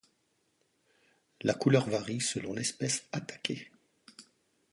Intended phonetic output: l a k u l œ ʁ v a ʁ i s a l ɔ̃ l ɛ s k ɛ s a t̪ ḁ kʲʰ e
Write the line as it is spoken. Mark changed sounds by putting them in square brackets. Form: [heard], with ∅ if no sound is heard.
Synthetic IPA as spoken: l a k u l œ ʁ v a ʁ i s [ə] l ɔ̃ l ɛ s [p] ɛ s a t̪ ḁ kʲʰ e